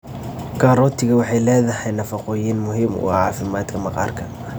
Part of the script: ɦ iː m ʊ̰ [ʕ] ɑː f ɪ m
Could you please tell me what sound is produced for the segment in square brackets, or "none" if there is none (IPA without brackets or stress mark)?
ʕ